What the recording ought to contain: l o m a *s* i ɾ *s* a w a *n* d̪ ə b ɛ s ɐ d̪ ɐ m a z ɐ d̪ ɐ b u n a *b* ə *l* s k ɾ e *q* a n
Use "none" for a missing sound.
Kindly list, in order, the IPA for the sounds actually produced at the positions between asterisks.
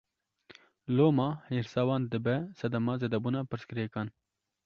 h, s, n, p, ɾ, k

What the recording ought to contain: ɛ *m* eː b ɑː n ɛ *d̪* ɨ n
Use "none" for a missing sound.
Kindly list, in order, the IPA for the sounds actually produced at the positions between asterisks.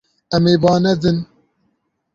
m, d̪

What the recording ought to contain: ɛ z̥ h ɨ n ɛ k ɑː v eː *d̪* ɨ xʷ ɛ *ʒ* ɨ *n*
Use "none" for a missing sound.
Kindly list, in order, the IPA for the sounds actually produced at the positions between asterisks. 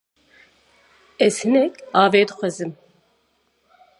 d̪, z, m

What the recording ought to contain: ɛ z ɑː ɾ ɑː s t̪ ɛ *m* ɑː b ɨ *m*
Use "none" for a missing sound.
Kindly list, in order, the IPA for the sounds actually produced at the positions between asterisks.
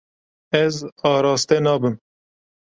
n, m

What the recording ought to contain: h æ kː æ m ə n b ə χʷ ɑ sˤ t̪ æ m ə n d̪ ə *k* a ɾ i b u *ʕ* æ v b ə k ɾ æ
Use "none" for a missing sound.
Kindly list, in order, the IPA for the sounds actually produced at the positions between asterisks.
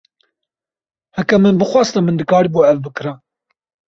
k, ʕ

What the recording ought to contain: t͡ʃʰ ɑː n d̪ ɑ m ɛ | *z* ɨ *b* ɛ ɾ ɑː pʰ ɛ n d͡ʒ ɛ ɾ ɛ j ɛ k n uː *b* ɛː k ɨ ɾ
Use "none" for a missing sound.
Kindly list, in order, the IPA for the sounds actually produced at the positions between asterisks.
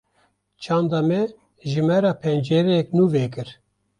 ʒ, m, v

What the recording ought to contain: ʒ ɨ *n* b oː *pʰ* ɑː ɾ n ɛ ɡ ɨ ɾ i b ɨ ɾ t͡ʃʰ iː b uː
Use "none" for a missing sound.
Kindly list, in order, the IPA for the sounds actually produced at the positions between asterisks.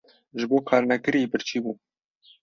none, kʰ

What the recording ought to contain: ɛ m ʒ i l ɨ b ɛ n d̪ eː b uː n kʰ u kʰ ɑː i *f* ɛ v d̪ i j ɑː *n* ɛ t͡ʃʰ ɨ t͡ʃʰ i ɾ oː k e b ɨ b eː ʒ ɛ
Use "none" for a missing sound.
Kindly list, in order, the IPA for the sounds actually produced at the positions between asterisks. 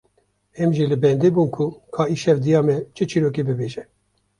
ʃ, m

